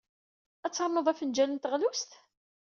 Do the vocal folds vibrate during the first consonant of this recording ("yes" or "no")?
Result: no